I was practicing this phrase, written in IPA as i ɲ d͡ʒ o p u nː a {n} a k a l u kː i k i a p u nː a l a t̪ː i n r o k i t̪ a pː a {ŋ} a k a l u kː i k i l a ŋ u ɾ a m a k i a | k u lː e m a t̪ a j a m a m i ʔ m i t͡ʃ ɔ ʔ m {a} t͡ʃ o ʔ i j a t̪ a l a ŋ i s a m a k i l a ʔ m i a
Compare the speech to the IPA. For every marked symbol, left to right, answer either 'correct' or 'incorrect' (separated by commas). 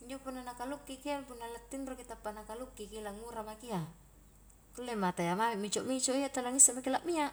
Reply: correct, incorrect, incorrect